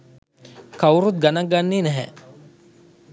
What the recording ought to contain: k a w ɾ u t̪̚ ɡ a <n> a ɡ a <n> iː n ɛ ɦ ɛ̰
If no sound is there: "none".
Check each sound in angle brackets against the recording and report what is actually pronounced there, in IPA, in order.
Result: n, nː

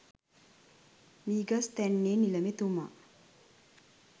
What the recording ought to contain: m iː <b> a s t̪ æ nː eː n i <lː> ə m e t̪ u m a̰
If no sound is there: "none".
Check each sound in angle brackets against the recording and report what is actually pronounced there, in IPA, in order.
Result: ɡ, l

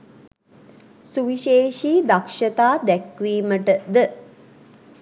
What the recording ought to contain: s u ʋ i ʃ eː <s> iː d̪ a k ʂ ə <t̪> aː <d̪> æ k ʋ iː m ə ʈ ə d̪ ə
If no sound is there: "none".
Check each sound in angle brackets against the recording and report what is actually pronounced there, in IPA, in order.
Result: ʃ, t̪, d̪

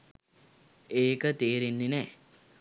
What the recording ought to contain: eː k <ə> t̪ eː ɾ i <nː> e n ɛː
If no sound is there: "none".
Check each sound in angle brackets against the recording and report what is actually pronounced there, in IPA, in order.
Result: ə, nː

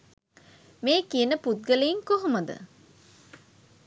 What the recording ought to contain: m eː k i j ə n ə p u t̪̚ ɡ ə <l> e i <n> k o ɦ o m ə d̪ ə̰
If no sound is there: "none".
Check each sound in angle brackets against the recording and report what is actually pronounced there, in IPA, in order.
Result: l, ŋ

